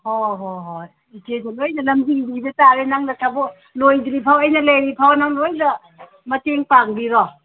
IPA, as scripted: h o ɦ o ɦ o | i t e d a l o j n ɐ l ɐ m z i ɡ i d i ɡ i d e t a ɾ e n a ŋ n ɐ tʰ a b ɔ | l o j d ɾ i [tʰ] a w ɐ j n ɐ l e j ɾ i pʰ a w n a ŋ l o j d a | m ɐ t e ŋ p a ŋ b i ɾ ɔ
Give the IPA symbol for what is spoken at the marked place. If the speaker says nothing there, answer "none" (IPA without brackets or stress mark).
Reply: pʰ